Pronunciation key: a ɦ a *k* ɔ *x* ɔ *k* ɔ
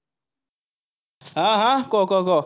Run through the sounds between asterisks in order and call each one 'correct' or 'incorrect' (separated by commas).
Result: correct, incorrect, correct